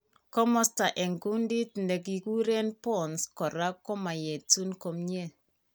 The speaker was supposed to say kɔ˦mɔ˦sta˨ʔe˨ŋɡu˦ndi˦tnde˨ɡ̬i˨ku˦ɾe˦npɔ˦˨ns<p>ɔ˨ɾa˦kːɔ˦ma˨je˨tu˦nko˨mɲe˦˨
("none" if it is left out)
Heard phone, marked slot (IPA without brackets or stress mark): k